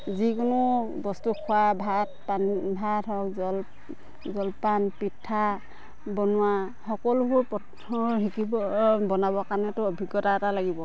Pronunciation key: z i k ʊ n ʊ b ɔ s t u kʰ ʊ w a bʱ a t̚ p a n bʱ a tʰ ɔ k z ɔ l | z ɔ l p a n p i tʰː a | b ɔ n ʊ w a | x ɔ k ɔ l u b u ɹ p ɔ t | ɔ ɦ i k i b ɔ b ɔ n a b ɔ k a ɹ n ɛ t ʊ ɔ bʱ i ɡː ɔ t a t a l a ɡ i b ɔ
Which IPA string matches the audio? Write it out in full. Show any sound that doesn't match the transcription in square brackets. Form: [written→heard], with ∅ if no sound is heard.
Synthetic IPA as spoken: z i k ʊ n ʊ b ɔ s t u kʰ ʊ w a bʱ a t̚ p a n bʱ a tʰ ɔ k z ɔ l | z ɔ l p a n p i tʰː a | b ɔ n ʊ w a | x ɔ k ɔ l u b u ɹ p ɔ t | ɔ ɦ i k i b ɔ b ɔ n a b ɔ k a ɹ n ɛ t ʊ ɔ bʱ i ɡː ɔ t a t a l a ɡ i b ɔ